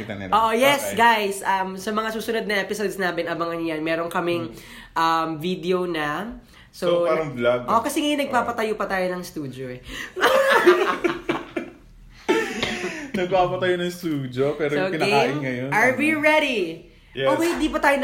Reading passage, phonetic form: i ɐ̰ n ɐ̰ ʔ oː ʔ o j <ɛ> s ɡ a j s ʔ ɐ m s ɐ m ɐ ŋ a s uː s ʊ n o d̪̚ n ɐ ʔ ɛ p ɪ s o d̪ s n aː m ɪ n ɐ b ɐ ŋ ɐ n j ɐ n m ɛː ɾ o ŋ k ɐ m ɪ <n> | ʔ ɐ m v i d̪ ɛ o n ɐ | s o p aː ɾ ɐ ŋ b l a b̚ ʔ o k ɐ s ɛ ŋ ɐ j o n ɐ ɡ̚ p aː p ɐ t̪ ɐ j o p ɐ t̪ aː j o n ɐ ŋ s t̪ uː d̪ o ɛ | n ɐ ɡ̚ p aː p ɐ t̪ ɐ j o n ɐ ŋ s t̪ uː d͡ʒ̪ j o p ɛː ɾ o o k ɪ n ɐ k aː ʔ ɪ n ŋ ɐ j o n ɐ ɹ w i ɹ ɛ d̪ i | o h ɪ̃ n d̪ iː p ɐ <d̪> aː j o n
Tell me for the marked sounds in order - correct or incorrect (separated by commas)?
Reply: correct, incorrect, incorrect